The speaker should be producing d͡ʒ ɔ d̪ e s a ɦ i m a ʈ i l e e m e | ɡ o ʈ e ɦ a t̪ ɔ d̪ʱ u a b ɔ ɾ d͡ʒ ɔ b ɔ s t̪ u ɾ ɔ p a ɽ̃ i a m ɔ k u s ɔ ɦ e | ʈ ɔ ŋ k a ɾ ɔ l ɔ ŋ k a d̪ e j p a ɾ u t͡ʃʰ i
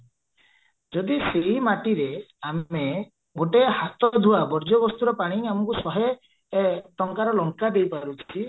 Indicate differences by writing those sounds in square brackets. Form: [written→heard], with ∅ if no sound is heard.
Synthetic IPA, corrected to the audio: d͡ʒ ɔ d̪ [e→i] s [a→e] ɦ i m a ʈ i [l→ɾ] e [e→a] m e | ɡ o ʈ e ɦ a t̪ ɔ d̪ʱ u a b ɔ ɾ d͡ʒ ɔ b ɔ s t̪ u ɾ ɔ p a ɽ̃ i a m ɔ k u s ɔ ɦ e | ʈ ɔ ŋ k a ɾ ɔ l ɔ ŋ k a d̪ e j p a ɾ u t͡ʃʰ i